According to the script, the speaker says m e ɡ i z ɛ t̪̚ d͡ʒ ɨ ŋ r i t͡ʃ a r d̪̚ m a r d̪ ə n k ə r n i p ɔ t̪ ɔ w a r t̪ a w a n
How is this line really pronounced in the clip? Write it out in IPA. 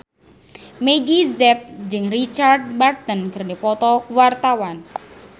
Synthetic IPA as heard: m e ɡ i z ɛ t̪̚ d͡ʒ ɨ ŋ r i t͡ʃ a r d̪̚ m a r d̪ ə n k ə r n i p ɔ t̪ ɔ w a r t̪ a w a n